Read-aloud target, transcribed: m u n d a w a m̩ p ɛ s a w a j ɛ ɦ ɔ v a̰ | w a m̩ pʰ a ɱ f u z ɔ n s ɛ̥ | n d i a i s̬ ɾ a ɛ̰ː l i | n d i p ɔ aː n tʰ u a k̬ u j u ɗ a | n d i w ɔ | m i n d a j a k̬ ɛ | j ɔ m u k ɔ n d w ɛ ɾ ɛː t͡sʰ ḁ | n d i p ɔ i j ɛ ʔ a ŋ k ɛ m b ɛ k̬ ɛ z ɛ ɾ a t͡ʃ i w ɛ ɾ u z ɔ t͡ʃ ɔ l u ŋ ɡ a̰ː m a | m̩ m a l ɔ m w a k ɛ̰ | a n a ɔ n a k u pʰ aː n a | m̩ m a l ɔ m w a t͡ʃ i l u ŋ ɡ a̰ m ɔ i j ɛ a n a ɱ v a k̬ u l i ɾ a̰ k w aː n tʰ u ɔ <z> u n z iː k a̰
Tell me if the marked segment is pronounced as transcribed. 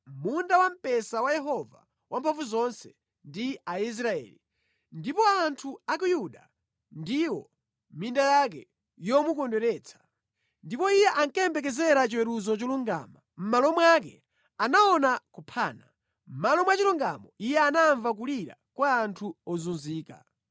yes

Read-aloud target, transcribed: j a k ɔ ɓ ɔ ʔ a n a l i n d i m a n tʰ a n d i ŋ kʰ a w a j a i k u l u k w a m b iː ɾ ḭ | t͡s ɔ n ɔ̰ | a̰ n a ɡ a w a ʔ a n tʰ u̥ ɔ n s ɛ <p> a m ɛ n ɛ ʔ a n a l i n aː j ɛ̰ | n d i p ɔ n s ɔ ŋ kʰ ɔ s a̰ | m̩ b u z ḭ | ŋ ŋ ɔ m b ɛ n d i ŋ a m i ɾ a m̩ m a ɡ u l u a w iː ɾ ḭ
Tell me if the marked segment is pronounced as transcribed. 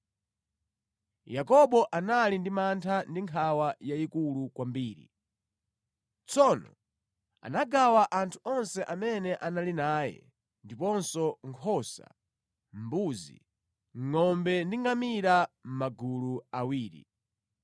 no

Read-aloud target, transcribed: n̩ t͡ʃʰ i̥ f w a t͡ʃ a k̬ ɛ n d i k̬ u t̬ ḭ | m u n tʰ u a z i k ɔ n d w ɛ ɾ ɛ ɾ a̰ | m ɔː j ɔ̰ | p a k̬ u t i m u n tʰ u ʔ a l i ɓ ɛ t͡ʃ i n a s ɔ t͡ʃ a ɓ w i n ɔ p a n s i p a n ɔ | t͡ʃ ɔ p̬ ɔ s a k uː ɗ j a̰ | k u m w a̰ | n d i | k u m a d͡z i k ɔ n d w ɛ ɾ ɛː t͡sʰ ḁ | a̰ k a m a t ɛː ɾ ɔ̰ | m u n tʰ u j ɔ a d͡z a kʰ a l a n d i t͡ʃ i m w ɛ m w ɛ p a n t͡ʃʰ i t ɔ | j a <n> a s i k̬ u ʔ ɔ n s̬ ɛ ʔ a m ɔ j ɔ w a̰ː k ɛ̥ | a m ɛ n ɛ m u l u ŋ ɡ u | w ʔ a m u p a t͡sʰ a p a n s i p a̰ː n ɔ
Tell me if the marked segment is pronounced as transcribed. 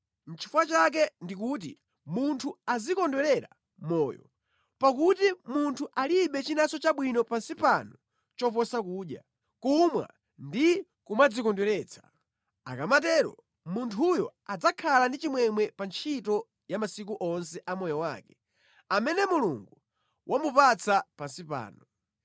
no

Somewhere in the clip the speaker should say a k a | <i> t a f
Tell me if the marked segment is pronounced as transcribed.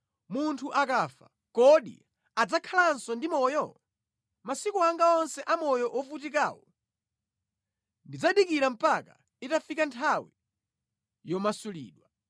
yes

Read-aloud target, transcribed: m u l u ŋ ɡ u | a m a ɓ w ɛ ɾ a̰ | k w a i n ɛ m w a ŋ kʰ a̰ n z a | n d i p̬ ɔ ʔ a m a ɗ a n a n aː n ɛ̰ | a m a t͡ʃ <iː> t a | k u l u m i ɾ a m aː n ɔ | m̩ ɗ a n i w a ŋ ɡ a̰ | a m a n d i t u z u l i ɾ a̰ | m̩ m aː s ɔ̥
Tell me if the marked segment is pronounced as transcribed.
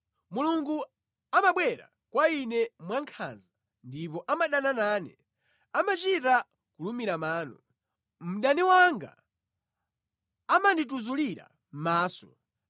no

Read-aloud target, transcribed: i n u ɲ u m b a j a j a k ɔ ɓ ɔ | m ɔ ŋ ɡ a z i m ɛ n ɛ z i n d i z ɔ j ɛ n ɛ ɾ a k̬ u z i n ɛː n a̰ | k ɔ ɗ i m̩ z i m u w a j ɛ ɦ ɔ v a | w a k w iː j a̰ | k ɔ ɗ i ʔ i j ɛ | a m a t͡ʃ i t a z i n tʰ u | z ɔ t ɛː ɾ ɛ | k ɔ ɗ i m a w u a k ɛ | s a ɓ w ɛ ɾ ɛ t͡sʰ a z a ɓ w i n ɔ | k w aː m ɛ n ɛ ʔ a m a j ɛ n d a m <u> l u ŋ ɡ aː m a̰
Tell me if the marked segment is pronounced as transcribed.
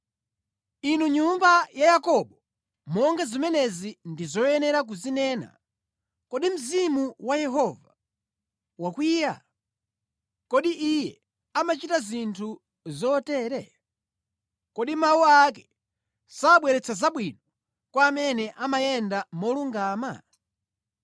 no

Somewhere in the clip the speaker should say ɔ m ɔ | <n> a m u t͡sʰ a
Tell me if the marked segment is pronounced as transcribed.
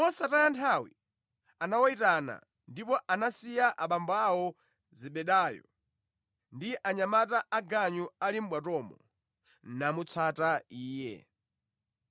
yes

